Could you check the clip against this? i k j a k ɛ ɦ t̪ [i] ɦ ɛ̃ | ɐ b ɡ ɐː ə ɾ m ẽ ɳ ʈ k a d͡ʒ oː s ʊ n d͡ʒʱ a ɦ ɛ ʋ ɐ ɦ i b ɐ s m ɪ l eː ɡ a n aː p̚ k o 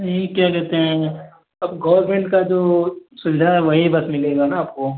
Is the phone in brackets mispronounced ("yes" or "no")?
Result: yes